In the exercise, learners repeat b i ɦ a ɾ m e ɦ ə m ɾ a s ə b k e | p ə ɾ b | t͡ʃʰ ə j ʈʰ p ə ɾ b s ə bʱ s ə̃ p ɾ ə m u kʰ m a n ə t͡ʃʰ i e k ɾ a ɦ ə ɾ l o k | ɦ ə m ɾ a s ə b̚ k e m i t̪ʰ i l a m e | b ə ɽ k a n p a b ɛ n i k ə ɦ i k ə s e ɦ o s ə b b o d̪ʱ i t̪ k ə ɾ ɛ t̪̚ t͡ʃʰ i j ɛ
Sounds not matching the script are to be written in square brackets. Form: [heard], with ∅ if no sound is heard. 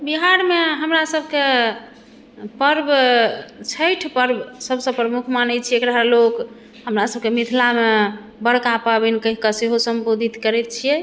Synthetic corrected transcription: b i ɦ a ɾ m e ɦ ə m ɾ a s ə b k e | p ə ɾ b | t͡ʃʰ ə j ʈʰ p ə ɾ b s ə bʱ s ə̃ p ɾ ə m u kʰ m a n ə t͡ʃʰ i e k ɾ a ɦ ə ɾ l o k | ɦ ə m ɾ a s ə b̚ k e m i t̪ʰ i l a m e | b ə ɽ k a [∅] p a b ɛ n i k ə ɦ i k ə s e ɦ o s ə [m] b o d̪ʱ i t̪ k ə ɾ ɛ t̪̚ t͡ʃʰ i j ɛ